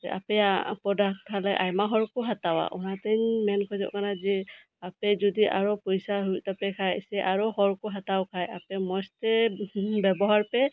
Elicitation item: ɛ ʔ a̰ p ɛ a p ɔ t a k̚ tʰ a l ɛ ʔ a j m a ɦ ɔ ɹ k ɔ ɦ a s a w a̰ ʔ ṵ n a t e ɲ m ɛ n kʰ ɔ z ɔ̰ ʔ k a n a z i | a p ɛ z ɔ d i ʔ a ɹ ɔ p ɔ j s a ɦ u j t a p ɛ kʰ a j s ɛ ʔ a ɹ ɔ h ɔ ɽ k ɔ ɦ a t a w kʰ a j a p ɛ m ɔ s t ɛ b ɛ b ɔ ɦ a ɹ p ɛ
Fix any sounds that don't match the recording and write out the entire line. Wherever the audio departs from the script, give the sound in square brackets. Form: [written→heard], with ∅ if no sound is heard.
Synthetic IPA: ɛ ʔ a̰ p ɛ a p ɔ [t→d] a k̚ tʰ a l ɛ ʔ a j m a ɦ ɔ ɹ k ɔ ɦ a [s→t] a w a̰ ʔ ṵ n a t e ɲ m ɛ n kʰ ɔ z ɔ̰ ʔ k a n a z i | a p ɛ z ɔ d i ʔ a ɹ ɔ p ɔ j s a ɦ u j t a p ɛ kʰ a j s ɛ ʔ a ɹ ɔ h ɔ [ɽ→ɹ] k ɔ ɦ a t a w kʰ a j a p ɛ m ɔ s t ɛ b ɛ b ɔ ɦ a ɹ p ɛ